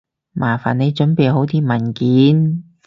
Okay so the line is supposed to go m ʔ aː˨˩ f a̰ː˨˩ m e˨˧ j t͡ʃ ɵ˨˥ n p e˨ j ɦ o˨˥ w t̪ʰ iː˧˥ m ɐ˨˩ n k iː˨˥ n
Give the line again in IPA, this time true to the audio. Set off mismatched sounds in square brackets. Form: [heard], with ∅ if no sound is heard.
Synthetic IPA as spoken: m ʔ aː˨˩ f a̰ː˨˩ [n] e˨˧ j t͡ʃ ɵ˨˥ n p e˨ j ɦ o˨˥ w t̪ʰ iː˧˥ m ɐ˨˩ n k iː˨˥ n